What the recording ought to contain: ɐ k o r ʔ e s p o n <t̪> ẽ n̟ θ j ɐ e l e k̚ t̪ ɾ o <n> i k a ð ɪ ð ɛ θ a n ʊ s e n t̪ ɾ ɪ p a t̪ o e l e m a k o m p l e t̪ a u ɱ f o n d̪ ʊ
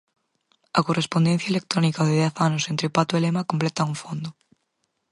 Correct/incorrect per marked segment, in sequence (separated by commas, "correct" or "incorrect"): incorrect, correct